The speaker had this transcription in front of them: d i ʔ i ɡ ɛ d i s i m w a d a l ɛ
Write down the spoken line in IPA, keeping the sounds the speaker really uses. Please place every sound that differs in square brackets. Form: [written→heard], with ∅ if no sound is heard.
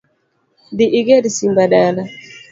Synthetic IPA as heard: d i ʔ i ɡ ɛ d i s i m [w→b] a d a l [ɛ→a]